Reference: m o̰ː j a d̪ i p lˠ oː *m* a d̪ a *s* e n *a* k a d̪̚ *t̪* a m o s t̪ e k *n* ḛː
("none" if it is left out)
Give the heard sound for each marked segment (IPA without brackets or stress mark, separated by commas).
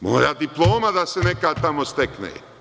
m, s, e, t̪, n